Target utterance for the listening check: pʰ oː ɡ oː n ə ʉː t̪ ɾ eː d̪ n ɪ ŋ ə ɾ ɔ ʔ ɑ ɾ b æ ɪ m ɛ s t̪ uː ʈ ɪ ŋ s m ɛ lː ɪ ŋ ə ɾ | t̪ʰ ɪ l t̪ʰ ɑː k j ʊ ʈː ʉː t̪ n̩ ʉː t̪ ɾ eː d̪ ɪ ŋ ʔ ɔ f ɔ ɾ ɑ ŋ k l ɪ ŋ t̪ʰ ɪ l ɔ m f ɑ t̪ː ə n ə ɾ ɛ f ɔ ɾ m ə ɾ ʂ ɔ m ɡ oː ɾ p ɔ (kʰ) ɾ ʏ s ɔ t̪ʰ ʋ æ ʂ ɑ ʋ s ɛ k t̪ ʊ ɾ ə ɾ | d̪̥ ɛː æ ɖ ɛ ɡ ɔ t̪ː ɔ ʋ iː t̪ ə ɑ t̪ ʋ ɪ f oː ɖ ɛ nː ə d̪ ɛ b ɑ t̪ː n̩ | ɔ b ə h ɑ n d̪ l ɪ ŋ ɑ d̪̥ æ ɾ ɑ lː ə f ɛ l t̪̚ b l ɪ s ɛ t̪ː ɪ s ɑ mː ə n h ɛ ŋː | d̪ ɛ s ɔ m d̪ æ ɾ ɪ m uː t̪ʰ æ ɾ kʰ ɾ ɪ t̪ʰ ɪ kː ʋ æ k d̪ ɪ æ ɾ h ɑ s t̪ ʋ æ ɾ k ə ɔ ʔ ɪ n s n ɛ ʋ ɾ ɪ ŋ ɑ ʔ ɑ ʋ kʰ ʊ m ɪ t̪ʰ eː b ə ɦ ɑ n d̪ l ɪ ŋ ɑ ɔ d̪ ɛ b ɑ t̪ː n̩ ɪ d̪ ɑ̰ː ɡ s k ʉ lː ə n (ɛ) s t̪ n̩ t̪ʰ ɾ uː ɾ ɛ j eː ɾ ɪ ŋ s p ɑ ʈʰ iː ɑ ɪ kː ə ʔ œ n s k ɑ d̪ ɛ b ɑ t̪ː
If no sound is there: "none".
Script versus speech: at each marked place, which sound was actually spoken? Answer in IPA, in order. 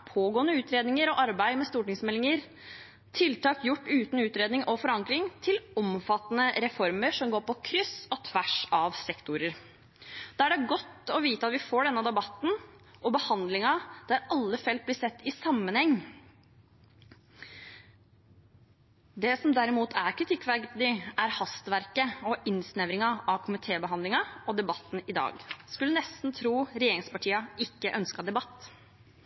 kʰ, ɛ

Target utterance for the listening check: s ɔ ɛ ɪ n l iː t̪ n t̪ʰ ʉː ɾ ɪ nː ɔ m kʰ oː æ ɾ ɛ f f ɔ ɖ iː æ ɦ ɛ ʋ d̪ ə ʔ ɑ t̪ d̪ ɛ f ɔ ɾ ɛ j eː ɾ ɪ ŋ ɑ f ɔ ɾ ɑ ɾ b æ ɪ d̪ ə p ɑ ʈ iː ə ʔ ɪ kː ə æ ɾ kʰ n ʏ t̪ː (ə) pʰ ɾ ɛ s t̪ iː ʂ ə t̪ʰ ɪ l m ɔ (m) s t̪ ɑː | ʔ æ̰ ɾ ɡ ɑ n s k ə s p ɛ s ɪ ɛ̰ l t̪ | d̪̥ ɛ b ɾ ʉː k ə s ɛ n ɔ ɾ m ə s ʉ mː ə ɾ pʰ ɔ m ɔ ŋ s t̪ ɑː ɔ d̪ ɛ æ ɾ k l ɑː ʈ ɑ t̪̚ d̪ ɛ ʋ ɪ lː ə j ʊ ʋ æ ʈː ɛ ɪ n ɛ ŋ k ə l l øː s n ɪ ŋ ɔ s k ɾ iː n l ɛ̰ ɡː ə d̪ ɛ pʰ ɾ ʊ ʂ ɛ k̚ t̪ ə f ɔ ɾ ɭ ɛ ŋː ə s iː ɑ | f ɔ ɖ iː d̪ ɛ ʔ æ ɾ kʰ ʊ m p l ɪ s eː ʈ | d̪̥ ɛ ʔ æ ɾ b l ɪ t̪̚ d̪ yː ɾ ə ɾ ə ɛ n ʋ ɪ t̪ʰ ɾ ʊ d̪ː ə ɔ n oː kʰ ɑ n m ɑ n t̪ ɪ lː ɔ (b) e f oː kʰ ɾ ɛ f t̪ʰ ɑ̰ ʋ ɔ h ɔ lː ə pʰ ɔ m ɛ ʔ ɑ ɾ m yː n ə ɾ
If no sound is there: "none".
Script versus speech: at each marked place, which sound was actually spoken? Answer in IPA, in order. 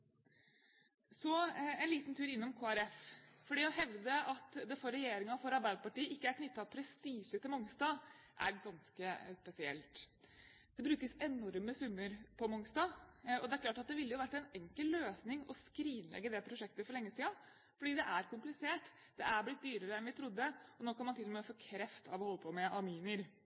ɑ, ŋ, m

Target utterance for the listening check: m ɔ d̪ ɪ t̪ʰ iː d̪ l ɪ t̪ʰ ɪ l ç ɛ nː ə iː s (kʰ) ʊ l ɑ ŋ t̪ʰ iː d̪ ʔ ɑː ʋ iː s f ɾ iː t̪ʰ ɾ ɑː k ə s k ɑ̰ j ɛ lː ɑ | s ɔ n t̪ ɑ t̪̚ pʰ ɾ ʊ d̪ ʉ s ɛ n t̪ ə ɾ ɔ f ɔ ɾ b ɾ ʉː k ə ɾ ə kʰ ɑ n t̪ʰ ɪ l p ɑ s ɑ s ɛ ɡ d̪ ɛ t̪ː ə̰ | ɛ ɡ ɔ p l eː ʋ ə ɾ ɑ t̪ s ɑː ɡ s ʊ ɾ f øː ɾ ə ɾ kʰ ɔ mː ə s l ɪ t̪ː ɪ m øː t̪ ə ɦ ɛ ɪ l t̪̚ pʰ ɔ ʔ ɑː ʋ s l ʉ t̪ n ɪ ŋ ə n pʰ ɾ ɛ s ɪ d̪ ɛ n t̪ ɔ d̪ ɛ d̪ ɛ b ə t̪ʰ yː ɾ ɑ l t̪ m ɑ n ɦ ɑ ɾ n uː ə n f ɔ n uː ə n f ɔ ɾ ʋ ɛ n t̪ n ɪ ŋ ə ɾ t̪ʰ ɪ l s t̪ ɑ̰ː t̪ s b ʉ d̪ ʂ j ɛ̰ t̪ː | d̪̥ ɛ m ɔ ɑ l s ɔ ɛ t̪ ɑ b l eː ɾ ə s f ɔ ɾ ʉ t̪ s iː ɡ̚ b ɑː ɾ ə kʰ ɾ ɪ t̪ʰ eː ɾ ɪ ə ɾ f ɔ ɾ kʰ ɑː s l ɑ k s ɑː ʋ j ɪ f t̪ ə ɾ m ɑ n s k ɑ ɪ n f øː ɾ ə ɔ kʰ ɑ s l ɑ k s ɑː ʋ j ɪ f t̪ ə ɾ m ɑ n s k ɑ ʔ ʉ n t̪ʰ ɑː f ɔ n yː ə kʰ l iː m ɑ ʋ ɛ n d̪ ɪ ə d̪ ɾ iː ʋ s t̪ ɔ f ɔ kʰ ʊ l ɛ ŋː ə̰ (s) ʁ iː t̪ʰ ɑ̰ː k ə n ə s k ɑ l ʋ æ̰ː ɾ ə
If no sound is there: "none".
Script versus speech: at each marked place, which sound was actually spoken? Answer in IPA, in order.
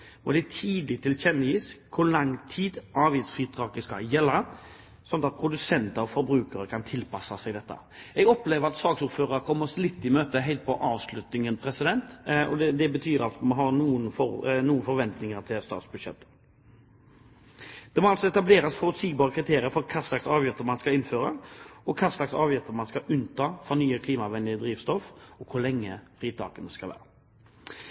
kʰ, f

